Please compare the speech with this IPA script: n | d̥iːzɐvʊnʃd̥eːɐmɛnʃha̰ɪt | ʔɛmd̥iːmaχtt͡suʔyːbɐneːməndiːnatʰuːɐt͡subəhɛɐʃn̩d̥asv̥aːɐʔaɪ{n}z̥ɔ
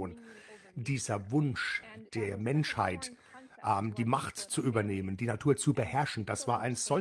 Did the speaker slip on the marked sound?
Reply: no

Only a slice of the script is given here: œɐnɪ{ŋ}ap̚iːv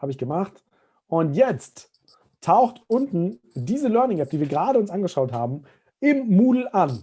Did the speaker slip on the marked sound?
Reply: no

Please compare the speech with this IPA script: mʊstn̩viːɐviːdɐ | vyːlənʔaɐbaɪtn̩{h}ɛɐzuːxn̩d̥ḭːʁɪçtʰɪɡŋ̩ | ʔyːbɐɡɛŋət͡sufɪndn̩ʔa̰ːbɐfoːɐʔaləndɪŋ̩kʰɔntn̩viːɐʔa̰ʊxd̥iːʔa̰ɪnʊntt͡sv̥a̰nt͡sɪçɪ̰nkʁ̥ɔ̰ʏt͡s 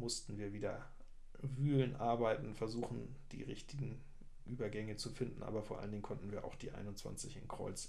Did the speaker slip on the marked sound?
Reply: yes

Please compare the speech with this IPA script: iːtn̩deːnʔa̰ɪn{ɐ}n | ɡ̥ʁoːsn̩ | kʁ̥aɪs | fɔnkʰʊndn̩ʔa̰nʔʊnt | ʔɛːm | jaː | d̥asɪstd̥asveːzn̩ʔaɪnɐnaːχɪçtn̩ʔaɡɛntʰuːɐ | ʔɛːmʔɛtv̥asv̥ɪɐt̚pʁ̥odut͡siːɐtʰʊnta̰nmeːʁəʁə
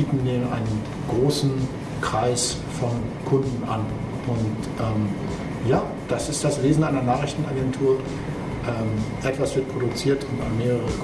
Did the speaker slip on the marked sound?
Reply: yes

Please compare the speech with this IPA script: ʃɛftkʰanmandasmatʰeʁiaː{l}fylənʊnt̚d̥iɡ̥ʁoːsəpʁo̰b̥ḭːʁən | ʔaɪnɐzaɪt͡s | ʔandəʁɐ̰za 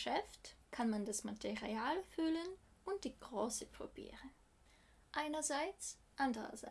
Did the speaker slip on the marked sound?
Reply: no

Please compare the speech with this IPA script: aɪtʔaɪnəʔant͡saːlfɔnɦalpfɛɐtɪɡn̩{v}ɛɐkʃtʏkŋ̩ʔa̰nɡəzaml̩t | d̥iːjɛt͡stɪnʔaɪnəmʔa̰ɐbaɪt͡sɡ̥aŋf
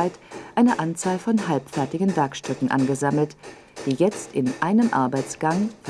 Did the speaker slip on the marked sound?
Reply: no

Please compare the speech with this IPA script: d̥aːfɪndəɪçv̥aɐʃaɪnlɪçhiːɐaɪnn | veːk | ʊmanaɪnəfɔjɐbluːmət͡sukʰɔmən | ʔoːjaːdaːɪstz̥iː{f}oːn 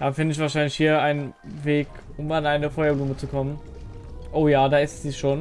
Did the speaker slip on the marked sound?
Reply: yes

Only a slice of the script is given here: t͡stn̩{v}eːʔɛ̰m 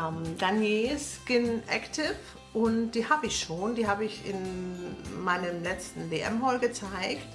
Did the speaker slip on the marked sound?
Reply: no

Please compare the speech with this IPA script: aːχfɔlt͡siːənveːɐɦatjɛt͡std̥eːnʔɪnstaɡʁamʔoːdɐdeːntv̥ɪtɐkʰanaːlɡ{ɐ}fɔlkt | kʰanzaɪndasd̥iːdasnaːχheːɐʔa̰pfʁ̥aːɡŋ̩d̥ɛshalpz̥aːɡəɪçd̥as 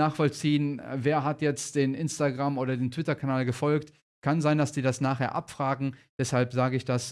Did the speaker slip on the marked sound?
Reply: yes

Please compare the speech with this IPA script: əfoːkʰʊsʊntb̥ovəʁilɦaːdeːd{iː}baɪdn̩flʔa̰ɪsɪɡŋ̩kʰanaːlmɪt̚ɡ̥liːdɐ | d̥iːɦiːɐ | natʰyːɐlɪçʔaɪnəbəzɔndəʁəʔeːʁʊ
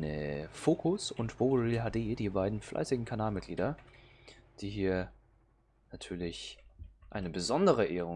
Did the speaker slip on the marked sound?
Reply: no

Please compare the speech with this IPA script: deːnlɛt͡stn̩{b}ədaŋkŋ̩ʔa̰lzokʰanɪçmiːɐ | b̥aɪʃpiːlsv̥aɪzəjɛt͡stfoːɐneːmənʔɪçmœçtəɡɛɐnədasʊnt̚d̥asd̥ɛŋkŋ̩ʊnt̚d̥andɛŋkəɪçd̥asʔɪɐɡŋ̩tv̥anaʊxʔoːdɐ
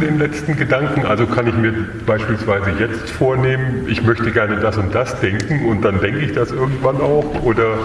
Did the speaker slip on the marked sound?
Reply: yes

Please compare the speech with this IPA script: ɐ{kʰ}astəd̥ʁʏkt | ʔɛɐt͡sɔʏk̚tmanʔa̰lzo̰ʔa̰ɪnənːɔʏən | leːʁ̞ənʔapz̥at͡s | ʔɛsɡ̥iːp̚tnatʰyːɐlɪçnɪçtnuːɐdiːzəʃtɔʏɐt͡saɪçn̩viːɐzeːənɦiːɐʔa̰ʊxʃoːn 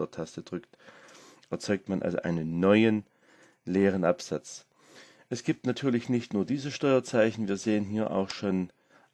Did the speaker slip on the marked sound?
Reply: yes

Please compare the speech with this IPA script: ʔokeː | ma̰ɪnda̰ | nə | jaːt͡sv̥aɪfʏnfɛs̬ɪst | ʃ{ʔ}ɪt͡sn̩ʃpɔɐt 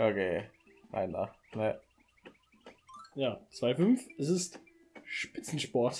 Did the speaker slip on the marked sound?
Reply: yes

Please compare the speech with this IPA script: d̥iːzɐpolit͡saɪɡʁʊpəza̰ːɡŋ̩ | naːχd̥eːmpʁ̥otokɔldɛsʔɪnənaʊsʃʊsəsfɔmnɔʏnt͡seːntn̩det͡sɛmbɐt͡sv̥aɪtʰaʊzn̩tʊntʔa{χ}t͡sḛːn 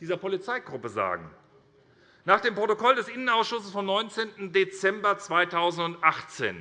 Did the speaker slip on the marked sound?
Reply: no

